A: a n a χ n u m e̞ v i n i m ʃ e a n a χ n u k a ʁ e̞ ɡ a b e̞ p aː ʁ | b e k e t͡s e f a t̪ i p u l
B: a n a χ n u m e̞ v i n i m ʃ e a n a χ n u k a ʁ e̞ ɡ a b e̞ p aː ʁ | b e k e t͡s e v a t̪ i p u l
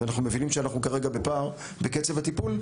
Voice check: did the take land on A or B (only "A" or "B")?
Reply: B